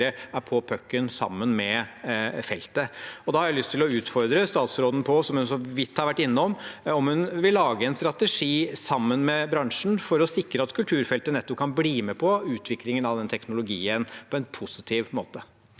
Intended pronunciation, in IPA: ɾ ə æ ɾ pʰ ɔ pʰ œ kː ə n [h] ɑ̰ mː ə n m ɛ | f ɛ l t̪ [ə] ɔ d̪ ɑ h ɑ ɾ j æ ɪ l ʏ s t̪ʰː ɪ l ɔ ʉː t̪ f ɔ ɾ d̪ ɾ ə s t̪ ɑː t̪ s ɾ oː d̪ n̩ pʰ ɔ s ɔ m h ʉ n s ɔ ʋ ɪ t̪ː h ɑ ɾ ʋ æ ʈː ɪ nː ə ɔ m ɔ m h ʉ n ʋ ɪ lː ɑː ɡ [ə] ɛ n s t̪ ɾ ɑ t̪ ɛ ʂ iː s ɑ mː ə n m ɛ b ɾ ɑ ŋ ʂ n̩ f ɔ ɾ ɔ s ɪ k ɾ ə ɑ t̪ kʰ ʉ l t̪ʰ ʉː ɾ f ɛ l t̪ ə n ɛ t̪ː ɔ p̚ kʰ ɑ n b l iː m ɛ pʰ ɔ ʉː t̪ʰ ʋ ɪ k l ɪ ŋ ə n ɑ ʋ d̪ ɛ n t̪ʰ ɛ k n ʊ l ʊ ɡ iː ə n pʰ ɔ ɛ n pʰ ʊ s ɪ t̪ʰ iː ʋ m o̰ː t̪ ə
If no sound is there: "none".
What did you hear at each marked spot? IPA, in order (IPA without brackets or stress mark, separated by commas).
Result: s, ə, ə